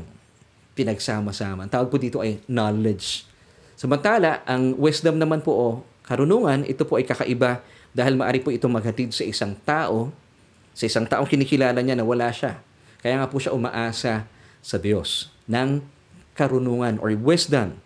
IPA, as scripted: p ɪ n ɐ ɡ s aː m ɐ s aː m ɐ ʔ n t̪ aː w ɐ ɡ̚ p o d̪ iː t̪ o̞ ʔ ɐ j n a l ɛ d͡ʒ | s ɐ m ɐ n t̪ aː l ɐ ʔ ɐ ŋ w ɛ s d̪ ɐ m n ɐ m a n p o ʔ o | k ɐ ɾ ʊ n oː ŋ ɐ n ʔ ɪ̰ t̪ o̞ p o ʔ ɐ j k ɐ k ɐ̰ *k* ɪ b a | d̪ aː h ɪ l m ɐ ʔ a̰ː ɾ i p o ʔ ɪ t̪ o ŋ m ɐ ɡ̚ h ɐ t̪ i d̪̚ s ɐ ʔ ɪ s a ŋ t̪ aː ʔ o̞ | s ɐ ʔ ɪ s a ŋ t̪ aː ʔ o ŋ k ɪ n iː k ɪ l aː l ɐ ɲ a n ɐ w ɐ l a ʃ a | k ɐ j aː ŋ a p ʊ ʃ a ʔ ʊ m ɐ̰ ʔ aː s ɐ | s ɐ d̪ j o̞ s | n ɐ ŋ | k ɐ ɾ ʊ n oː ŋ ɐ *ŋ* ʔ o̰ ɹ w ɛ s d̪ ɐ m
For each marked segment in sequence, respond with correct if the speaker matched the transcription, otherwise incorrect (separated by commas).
incorrect, incorrect